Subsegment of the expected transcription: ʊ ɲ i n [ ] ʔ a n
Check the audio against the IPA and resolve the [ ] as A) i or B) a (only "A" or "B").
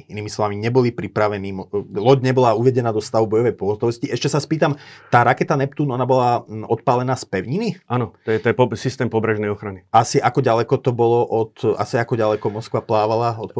A